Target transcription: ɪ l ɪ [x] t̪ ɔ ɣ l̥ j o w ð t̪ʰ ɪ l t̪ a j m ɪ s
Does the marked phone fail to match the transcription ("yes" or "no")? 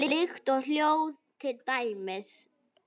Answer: no